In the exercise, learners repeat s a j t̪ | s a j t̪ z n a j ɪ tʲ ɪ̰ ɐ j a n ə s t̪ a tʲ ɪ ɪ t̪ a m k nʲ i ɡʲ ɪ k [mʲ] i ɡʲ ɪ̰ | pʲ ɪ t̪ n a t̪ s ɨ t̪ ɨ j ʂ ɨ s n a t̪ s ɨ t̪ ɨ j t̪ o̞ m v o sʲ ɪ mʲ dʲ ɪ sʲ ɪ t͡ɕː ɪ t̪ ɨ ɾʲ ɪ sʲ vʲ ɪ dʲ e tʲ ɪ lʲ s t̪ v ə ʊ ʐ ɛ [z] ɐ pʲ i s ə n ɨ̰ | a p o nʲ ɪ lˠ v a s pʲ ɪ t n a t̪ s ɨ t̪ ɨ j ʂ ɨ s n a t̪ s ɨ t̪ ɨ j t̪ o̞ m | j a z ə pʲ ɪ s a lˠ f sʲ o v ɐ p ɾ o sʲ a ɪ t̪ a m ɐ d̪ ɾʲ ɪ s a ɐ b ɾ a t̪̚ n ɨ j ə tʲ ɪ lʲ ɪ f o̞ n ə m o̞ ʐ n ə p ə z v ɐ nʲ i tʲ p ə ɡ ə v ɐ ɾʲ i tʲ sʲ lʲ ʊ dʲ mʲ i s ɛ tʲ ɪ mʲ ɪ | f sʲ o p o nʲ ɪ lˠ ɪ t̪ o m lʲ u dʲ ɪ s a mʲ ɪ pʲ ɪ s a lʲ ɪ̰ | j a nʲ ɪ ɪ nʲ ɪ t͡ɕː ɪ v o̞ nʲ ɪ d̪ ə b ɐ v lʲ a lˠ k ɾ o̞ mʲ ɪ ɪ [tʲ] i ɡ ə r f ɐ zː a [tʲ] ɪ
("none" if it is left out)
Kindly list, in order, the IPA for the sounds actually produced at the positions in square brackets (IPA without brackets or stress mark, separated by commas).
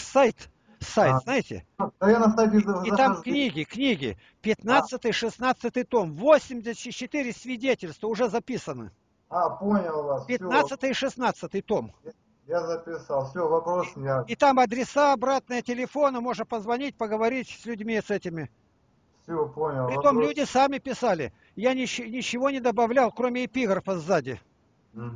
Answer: nʲ, z, pʲ, dʲ